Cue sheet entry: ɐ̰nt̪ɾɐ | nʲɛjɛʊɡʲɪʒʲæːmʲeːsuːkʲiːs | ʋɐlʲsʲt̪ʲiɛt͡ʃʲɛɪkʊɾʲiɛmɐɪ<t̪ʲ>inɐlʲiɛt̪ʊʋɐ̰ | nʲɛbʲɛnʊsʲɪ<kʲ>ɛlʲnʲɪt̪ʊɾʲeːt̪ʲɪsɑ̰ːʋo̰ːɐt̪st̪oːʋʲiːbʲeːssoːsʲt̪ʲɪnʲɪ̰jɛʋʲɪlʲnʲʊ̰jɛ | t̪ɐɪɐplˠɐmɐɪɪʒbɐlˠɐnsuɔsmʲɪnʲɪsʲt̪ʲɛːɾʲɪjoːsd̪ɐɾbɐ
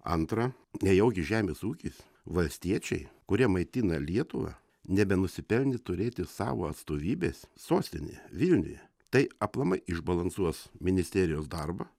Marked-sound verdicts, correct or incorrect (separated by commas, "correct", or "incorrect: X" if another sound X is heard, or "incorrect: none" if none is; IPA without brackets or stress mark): correct, incorrect: pʲ